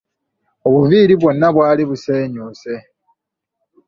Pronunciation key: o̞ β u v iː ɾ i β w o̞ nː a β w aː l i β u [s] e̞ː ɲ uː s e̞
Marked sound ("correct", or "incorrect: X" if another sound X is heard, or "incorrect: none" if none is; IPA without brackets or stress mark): correct